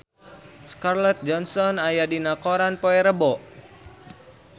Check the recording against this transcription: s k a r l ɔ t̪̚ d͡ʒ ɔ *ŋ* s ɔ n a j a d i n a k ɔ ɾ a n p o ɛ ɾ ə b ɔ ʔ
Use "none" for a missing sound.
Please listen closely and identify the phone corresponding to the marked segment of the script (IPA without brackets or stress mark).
n